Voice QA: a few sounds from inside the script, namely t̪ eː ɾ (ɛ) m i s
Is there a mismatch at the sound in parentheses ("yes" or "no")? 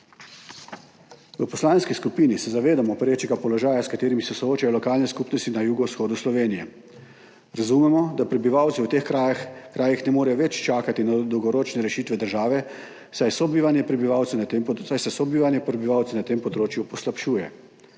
yes